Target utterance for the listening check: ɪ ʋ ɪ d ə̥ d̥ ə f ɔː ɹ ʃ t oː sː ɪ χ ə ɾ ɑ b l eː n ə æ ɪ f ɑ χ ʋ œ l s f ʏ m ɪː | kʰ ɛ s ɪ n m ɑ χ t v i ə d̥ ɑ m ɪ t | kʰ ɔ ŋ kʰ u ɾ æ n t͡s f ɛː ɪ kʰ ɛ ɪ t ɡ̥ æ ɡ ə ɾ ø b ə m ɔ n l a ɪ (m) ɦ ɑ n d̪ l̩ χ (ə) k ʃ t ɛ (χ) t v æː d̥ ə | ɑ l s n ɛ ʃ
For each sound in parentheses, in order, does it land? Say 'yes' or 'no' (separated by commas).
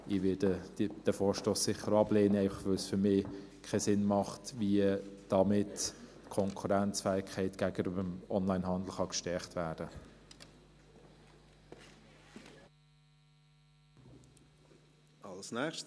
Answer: no, no, yes